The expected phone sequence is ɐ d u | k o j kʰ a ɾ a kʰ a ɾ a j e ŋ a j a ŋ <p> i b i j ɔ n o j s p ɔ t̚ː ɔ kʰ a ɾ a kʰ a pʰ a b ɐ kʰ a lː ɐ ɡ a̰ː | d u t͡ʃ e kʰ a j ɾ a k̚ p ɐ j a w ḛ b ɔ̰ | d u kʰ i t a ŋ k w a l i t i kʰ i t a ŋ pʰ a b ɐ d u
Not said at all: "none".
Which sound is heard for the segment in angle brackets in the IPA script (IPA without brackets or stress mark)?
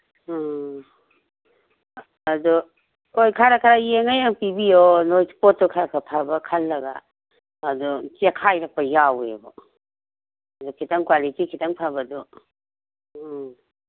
p